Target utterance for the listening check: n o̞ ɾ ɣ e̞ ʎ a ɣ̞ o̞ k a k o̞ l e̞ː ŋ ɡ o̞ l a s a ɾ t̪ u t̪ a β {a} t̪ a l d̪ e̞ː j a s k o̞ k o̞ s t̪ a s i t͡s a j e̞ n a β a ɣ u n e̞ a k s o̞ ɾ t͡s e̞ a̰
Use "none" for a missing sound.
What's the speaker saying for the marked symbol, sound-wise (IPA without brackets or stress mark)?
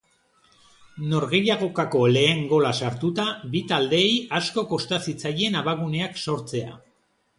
i